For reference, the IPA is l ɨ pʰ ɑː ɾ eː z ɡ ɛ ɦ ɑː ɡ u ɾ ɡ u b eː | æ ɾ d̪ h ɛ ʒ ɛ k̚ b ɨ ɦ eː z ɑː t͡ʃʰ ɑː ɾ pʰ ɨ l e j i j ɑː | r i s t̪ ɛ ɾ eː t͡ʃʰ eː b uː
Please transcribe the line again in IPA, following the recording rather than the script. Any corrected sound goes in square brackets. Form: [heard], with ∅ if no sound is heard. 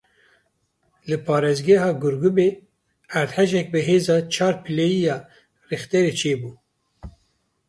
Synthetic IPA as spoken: l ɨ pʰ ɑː ɾ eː z ɡ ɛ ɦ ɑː ɡ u ɾ ɡ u b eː | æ ɾ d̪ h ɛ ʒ ɛ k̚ b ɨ ɦ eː z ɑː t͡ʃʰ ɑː ɾ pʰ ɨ l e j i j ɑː | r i [x] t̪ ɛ ɾ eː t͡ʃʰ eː b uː